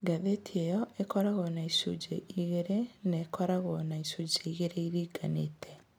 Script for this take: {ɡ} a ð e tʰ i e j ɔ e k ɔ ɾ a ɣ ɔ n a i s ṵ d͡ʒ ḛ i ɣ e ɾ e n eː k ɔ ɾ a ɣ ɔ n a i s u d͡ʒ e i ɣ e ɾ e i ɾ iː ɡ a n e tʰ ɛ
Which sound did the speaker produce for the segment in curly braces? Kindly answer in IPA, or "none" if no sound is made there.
ɡ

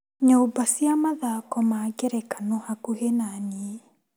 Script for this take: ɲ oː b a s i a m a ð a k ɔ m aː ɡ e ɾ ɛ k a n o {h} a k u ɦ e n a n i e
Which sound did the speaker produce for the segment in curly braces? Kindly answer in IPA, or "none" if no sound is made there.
h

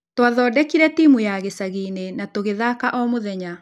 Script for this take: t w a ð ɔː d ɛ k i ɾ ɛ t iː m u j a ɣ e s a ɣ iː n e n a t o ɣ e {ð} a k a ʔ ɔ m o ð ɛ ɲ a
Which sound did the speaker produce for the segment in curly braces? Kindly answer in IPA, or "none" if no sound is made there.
ð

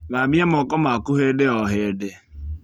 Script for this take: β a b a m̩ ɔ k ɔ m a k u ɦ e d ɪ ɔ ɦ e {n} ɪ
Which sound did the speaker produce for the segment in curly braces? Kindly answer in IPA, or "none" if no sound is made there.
d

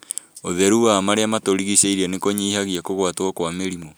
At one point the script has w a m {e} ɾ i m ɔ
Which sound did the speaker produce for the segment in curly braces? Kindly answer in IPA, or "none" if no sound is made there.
e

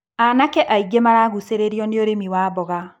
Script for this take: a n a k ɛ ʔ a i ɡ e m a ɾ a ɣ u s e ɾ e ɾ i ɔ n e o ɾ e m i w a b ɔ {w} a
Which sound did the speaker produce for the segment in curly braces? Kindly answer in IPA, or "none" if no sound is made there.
ɣ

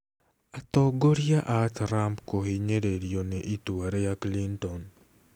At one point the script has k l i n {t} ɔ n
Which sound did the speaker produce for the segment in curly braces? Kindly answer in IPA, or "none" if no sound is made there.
t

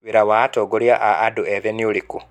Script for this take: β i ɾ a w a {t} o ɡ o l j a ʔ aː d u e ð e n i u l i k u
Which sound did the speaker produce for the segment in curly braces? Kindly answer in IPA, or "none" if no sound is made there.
t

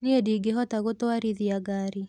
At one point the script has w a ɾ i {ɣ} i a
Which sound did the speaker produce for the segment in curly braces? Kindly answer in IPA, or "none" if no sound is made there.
ð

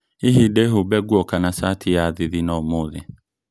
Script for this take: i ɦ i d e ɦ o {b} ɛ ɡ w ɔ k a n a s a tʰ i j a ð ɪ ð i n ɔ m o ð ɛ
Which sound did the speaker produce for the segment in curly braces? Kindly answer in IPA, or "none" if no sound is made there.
b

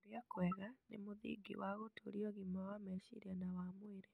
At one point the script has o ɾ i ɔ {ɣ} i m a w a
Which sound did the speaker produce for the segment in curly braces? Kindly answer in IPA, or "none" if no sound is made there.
ɣ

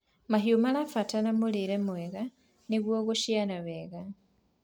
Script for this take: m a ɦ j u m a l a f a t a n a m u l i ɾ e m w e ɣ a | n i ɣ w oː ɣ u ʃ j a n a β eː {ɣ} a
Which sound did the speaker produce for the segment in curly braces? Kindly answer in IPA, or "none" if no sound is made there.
ɣ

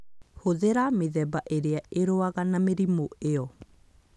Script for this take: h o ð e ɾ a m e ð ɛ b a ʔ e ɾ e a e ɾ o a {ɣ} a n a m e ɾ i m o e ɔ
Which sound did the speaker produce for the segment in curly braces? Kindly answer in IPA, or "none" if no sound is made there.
ɣ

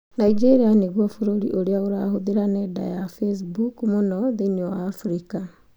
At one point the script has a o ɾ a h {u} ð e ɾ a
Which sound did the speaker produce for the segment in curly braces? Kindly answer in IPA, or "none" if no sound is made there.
o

